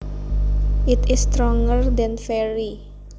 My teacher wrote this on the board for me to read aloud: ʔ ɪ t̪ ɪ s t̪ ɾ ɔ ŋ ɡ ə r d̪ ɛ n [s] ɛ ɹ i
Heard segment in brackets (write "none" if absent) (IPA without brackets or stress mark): f